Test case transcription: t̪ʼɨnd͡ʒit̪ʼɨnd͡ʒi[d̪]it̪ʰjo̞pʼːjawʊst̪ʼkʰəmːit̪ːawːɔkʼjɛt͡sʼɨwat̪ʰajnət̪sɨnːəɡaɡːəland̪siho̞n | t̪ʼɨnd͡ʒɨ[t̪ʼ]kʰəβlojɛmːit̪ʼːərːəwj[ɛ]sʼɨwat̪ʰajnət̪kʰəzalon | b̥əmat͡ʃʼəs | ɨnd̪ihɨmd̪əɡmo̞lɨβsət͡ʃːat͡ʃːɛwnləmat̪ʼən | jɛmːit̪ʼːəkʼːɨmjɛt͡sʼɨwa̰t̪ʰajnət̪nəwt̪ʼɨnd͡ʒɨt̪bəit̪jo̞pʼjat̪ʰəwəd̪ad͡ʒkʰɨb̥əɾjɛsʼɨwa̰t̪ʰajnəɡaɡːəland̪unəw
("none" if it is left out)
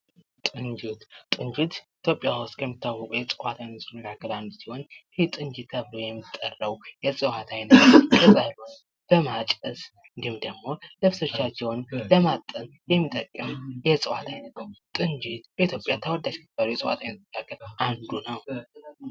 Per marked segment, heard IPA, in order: t̪, t̪, ɛ

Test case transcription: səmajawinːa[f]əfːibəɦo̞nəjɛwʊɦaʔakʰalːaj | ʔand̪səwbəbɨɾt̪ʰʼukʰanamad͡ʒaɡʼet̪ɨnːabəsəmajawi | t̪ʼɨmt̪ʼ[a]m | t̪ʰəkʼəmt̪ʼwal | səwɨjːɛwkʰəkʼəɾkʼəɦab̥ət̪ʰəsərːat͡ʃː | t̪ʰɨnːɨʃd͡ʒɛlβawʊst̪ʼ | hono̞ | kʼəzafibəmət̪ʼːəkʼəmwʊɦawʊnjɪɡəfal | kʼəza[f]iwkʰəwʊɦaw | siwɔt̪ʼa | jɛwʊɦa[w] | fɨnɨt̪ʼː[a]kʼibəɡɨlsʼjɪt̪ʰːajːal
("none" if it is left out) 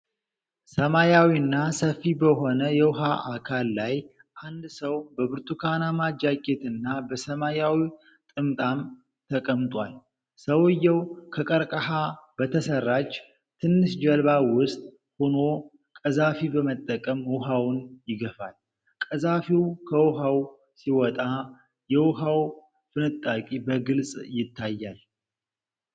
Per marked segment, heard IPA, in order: s, a, f, w, a

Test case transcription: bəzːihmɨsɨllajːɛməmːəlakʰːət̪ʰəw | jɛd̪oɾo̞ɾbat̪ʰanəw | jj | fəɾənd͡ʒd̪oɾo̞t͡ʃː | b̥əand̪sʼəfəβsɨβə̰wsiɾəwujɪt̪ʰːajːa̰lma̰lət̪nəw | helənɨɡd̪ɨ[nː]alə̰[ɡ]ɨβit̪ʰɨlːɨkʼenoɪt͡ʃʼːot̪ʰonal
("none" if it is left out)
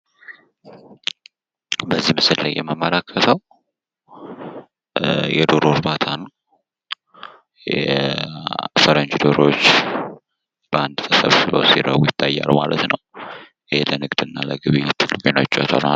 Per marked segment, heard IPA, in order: nː, ɡ

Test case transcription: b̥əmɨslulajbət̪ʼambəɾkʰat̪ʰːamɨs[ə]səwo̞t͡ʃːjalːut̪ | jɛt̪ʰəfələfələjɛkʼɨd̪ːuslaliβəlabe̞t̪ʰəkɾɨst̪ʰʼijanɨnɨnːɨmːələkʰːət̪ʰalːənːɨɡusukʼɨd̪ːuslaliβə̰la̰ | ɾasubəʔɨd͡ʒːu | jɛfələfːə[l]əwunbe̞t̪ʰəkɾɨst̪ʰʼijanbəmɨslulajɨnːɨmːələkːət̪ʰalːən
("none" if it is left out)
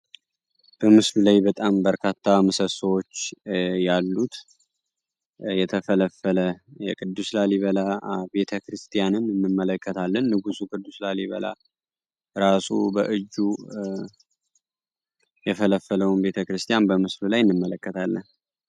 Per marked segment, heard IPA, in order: ə, l

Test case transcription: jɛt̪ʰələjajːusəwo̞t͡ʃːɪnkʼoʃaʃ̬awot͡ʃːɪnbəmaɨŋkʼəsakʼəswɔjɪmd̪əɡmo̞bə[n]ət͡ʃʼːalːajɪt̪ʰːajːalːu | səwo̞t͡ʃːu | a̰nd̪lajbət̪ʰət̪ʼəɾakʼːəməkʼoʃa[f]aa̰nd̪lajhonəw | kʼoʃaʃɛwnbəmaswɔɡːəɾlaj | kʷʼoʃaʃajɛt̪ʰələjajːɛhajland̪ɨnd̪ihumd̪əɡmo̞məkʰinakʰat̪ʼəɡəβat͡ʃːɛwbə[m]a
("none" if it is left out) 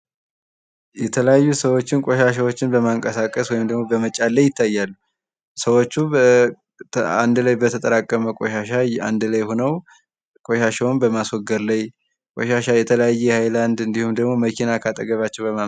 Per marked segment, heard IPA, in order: m, ʃ, m

